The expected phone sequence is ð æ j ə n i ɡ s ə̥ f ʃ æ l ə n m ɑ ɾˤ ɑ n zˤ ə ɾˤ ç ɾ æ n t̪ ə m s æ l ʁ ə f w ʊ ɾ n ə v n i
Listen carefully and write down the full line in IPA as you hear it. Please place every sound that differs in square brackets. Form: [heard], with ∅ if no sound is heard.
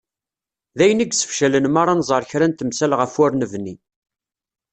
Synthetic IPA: ð æ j ə n i ɡ s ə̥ f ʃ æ l ə n m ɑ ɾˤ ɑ n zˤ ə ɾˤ ç ɾ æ n t̪ ə m s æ l ʁ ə f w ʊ ɾ n ə v n i

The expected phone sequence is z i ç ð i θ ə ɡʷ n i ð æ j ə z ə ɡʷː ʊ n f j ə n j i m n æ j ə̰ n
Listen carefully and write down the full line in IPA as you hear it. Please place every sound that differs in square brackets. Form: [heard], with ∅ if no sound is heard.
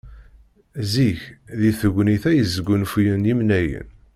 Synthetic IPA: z i ç ð i θ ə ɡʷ n i [θ] æ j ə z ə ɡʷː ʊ n f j ə n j i m n æ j ə̰ n

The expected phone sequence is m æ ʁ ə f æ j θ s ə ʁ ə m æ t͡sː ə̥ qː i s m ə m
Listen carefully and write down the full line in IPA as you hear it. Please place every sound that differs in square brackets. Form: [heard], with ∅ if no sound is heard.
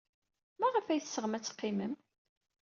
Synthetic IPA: m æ ʁ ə f æ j θ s ə ʁ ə m æ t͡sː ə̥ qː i [∅] m ə m

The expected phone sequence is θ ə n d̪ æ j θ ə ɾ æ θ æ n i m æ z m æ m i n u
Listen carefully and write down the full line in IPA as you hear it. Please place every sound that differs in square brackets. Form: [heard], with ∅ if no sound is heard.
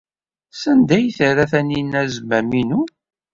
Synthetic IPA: [s] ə n d̪ æ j θ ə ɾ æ θ æ n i [n] æ z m æ m i n u

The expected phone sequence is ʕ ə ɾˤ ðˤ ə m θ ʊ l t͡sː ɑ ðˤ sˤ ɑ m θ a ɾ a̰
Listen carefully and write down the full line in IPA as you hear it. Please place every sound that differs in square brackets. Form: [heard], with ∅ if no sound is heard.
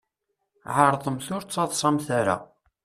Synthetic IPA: ʕ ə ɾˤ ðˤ ə m θ ʊ [ɾ] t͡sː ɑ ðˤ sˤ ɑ m θ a ɾ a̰

